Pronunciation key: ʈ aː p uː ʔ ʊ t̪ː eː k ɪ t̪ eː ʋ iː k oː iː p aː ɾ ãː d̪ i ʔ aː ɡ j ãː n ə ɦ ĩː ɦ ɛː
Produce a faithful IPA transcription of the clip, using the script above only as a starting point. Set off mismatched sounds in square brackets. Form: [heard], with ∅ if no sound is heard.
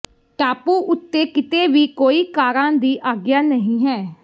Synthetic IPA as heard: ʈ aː p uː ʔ ʊ t̪ː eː k ɪ t̪ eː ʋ iː k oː iː [k] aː ɾ ãː d̪ [iː] ʔ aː ɡ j [aː] n ə ɦ ĩː ɦ ɛː